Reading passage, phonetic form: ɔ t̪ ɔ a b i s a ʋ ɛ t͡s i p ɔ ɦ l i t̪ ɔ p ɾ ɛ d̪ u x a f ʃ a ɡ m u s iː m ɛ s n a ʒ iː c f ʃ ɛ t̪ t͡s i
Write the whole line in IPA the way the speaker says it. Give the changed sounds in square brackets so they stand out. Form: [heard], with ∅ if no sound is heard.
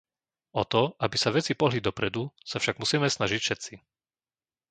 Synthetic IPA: ɔ t̪ ɔ a b i s a ʋ ɛ t͡s i p ɔ ɦ l i [d̪] ɔ p ɾ ɛ d̪ u [s] a f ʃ a ɡ m u s iː m ɛ s n a ʒ [i] c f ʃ ɛ t̪ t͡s i